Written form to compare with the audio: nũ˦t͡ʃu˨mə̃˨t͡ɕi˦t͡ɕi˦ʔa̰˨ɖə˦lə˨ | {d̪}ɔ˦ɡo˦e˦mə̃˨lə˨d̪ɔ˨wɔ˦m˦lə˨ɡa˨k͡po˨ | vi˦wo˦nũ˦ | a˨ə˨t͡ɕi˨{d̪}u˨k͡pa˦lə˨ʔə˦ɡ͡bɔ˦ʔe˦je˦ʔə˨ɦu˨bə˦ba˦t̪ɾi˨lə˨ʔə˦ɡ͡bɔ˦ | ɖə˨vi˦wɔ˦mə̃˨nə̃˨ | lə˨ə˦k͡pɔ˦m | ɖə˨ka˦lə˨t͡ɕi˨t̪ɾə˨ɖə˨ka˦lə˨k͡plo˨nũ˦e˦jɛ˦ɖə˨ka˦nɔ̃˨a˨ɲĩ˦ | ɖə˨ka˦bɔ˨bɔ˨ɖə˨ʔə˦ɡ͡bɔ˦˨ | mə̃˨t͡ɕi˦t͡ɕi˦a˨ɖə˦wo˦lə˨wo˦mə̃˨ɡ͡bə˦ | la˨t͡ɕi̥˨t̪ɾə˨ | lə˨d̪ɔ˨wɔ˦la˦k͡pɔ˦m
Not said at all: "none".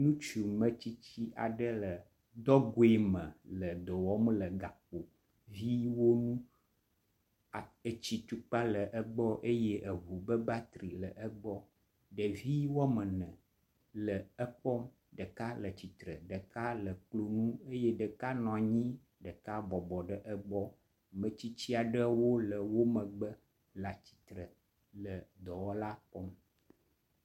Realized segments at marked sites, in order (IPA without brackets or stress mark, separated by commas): d̪, t̪